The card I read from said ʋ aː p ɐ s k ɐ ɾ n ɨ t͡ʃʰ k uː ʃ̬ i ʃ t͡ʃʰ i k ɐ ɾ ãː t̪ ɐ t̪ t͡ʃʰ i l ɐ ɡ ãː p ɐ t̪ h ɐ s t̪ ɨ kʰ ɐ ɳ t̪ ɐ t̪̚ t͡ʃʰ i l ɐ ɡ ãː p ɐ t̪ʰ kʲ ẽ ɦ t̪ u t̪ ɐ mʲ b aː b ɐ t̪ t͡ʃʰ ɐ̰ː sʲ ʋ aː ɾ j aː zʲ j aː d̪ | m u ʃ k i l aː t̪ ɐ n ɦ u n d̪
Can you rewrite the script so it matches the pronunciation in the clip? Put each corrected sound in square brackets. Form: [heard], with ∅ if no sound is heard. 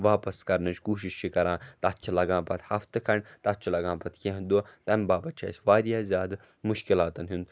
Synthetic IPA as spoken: ʋ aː p ɐ s k ɐ ɾ n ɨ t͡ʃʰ k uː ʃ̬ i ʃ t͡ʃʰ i k ɐ ɾ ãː t̪ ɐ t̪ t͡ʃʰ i l ɐ ɡ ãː p ɐ t̪ h ɐ [f] t̪ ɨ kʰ ɐ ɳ t̪ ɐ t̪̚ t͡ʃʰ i l ɐ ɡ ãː p ɐ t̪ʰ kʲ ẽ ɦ [d̪] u t̪ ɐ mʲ b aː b ɐ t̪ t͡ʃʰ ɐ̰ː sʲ ʋ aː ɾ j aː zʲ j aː d̪ | m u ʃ k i l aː t̪ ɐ n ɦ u n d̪